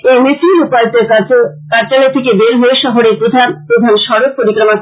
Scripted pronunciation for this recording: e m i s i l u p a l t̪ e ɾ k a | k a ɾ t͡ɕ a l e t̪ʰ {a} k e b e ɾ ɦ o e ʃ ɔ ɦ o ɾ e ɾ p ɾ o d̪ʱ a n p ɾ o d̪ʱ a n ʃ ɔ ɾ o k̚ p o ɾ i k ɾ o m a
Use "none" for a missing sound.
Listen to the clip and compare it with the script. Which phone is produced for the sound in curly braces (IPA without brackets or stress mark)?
e